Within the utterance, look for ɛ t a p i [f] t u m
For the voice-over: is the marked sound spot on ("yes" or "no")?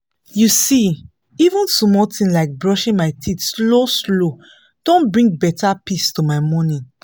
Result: no